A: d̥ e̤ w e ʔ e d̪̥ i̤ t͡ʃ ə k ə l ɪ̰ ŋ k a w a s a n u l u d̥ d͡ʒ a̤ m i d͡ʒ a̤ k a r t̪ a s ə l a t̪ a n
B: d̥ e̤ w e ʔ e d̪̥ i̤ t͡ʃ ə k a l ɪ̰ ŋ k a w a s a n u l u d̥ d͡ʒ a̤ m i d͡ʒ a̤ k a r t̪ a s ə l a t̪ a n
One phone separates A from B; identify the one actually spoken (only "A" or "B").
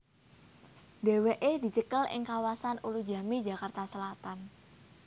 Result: A